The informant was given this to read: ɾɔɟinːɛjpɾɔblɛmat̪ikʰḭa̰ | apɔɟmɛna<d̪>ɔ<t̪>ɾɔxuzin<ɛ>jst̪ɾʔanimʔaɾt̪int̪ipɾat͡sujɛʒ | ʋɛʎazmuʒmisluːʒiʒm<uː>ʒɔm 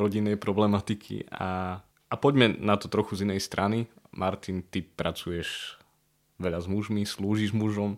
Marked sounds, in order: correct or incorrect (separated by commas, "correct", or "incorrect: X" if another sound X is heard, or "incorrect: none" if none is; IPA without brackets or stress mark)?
incorrect: t̪, correct, correct, incorrect: u